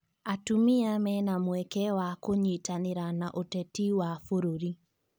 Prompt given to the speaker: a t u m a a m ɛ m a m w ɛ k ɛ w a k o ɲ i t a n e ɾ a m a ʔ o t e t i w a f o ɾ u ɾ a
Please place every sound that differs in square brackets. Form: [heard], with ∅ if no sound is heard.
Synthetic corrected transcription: a t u m [i] a m ɛ [n] a m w ɛ k ɛ w a k o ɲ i t a n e ɾ a [n] a ʔ o t [ɛ] t i w a f o ɾ [o] ɾ [i]